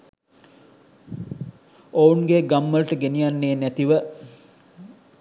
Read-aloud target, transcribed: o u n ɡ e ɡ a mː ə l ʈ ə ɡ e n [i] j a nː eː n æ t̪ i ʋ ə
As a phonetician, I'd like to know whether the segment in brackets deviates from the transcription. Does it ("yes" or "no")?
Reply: no